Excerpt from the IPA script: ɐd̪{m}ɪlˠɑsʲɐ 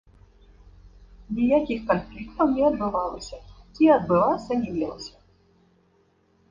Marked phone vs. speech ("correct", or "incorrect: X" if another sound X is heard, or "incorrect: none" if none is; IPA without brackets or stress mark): incorrect: b